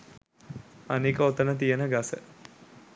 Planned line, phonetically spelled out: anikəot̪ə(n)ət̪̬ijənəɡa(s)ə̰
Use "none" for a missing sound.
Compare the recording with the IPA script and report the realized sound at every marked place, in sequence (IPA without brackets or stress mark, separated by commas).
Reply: n, s